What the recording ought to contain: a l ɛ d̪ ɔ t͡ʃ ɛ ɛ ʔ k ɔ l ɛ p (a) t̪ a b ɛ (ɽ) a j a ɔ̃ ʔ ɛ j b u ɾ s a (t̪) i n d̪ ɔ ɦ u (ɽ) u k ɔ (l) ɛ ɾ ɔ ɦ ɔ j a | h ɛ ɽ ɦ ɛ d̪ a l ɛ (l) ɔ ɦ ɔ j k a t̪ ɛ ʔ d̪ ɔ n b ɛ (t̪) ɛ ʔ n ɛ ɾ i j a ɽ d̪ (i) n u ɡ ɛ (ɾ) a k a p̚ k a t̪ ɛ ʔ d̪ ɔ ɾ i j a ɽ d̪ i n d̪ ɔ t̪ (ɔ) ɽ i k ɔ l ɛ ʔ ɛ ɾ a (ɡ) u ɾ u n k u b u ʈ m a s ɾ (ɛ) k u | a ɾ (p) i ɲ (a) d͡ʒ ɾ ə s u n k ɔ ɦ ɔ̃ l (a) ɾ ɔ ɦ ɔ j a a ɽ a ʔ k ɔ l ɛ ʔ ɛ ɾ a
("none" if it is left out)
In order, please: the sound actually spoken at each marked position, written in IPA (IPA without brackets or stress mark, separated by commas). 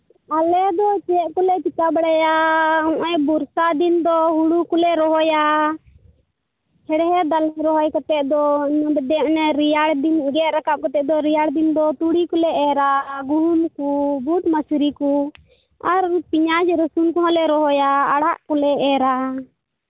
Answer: i, ɽ, d̪, ɽ, l, ɾ, d̪, i, ɾ, u, ɡ, i, p, a, ɛ